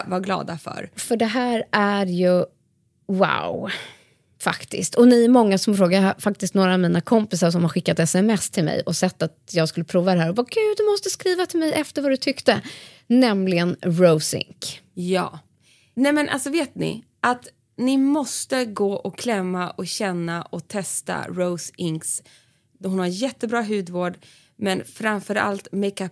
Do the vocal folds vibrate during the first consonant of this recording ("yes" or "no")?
yes